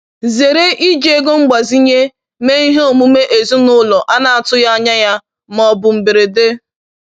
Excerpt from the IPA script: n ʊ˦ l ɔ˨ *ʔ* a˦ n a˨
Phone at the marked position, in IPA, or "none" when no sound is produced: ʔ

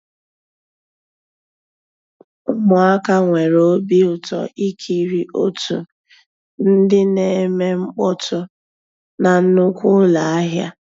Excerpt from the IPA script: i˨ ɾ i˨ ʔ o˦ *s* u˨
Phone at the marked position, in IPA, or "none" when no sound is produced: t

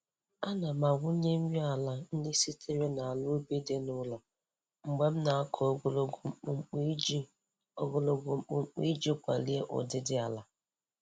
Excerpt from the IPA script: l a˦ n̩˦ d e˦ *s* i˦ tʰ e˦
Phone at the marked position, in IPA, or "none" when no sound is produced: s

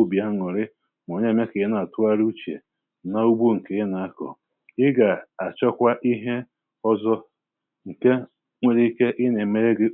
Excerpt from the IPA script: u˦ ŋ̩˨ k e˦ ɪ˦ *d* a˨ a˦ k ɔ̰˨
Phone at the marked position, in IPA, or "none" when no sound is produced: n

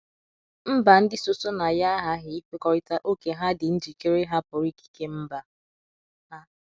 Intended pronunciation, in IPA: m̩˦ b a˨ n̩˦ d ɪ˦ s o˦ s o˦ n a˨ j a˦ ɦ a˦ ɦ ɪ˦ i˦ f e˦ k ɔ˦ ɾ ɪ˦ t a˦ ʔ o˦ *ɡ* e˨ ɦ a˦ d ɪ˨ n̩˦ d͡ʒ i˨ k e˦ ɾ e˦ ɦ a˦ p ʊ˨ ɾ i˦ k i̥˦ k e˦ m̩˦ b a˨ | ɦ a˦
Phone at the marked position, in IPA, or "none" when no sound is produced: k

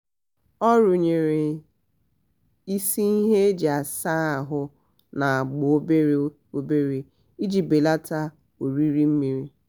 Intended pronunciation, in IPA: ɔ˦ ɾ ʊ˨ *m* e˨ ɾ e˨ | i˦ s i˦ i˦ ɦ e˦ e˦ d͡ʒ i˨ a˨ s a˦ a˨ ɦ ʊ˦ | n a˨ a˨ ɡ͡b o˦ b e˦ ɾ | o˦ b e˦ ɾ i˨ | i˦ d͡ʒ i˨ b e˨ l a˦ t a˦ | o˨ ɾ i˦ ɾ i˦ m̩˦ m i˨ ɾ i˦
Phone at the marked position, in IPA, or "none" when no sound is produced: ɲ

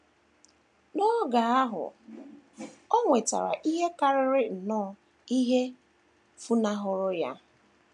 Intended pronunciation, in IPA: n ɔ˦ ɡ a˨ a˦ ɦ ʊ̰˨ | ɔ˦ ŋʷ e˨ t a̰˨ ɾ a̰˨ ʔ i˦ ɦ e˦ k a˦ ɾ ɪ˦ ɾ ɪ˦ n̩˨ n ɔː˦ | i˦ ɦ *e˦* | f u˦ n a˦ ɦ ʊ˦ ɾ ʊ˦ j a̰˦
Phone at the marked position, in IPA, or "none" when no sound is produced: e˦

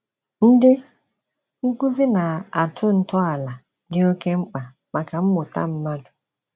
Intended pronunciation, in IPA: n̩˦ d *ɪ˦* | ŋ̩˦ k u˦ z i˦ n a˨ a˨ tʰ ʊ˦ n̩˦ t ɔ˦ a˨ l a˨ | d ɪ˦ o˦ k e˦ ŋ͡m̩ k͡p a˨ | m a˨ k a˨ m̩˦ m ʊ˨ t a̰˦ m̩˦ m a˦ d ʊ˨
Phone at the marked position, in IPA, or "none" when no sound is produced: ɪ˦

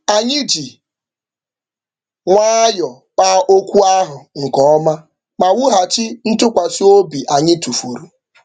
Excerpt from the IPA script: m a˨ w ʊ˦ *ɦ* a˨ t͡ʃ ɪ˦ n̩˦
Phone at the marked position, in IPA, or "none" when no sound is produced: ɦ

